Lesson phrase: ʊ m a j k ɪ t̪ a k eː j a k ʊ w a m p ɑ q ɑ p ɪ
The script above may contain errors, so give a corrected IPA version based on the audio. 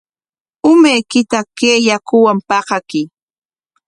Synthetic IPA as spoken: ʊ m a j k ɪ t̪ a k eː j a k ʊ w a m p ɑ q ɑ k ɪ